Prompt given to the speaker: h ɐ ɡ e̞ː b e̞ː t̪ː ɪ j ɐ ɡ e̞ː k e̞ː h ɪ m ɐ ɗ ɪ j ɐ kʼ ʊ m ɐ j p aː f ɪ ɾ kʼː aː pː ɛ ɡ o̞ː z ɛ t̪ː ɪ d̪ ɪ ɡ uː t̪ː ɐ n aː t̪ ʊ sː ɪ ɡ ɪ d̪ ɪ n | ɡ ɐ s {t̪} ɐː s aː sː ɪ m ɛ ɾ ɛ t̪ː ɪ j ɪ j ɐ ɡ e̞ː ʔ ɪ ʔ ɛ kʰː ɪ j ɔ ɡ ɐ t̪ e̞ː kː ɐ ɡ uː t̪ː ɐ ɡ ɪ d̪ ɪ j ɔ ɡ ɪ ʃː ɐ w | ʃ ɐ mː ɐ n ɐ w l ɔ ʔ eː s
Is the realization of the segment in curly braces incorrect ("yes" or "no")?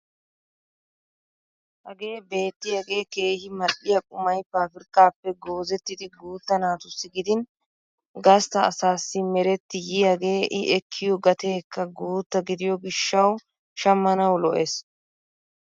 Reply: no